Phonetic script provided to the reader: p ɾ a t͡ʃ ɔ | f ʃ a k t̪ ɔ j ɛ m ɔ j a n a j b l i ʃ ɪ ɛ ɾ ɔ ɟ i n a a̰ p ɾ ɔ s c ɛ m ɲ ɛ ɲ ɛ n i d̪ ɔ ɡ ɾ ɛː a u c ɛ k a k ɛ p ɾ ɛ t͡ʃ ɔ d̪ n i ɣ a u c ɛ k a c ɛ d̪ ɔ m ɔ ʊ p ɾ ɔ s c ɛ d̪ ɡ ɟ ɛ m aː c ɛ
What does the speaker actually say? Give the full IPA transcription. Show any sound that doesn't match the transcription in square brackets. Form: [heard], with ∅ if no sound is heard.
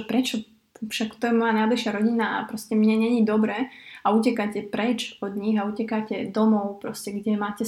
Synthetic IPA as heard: p ɾ [ɛ] t͡ʃ ɔ | f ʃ a k t̪ ɔ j ɛ m ɔ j a n a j b l i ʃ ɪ [a] ɾ ɔ ɟ i n a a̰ p ɾ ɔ s c ɛ m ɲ ɛ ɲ ɛ [ɲ] i d̪ ɔ [b] ɾ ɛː a u c ɛ k a [c] ɛ p ɾ ɛ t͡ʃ ɔ d̪ [ɲ] i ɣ a u c ɛ k a c ɛ d̪ ɔ m ɔ ʊ p ɾ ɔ s c ɛ [∅] ɡ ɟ ɛ m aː c ɛ